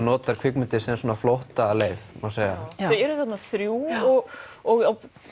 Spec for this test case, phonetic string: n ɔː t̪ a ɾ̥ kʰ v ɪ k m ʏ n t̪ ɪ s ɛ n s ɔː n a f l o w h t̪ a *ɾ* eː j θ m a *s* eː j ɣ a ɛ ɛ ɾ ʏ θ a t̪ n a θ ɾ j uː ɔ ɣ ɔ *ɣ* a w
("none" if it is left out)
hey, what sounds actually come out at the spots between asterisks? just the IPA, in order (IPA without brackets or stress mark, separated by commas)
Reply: l, s, ɣ